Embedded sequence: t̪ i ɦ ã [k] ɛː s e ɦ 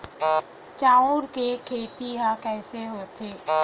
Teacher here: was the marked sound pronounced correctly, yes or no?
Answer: yes